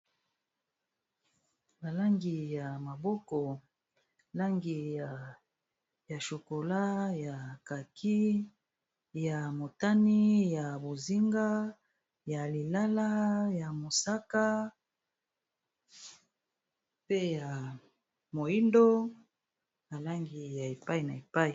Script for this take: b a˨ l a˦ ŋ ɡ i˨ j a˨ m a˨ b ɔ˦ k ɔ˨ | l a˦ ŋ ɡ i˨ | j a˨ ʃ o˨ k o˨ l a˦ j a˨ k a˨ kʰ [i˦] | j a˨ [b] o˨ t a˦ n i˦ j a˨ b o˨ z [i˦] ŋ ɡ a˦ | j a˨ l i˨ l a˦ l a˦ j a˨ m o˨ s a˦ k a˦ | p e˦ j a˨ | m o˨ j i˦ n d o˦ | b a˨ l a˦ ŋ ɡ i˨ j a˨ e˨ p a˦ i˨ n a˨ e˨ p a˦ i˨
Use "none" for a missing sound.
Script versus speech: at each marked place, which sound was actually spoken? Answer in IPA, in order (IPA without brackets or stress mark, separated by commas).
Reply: i˦, m, i˦